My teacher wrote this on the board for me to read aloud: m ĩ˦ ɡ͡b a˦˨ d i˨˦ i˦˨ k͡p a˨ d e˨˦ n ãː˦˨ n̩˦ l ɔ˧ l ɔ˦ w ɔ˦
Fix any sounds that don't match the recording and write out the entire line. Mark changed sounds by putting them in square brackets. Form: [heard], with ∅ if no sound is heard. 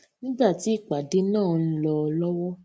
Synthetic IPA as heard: [n] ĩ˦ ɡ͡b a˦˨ [t] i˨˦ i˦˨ k͡p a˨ d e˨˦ n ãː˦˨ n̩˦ l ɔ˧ l ɔ˦ w ɔ˦